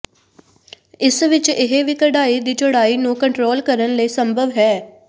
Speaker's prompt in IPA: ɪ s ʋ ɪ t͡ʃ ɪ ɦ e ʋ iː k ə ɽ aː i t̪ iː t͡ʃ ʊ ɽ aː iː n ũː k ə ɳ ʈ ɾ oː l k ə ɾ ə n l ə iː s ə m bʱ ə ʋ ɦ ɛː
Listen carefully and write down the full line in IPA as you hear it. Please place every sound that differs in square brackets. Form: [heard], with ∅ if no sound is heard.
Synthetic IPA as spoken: ɪ s ʋ ɪ t͡ʃ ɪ ɦ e ʋ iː k ə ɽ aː i [d̪] iː t͡ʃ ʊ ɽ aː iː n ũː k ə ɳ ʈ ɾ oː l k ə ɾ ə n l ə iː s ə m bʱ ə ʋ ɦ ɛː